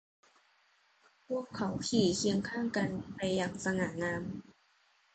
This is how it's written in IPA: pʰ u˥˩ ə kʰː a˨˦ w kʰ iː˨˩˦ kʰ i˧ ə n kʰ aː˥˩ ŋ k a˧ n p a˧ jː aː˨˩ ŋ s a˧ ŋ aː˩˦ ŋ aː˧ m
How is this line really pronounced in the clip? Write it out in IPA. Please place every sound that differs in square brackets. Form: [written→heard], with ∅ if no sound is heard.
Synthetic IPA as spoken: pʰ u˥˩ ə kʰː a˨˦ w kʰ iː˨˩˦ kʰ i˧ ə [n→ŋ] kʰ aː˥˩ ŋ k a˧ n p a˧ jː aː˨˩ ŋ s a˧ ŋ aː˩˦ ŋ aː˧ m